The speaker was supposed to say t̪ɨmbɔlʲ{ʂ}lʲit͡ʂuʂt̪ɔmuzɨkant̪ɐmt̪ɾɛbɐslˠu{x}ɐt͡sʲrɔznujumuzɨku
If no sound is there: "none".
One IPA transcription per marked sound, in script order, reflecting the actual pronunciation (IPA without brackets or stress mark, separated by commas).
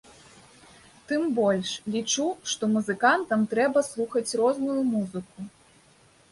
ʂ, x